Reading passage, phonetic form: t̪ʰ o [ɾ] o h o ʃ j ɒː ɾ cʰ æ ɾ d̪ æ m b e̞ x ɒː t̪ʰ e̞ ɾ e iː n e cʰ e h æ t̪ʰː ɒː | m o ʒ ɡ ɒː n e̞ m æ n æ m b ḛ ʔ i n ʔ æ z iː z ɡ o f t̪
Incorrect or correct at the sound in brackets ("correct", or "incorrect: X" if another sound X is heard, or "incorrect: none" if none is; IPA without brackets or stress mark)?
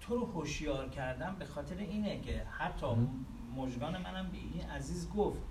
correct